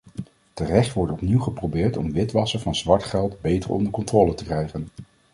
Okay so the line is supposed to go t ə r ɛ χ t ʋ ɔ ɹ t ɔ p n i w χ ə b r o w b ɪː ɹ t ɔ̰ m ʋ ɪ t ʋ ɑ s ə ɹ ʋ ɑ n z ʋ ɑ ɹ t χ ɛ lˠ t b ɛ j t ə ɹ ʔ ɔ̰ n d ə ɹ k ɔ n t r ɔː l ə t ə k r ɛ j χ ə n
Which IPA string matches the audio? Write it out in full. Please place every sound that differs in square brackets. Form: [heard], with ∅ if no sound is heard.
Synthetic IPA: t ə r ɛ χ t ʋ ɔ ɹ t ɔ p n i w χ ə [p] r o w b ɪː ɹ t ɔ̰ m ʋ ɪ t ʋ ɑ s ə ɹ [v] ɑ n z ʋ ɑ ɹ t χ ɛ lˠ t b [e] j t ə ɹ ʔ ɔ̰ n d ə ɹ k ɔ n t r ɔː l ə t ə k r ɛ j χ ə n